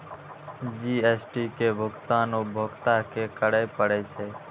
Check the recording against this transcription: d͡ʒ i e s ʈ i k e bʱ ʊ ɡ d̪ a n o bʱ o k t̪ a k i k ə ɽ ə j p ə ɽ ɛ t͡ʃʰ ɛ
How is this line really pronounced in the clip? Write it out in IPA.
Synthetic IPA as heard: d͡ʒ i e s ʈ i k e bʱ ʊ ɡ t̪ a n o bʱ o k t̪ a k e k ə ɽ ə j p ə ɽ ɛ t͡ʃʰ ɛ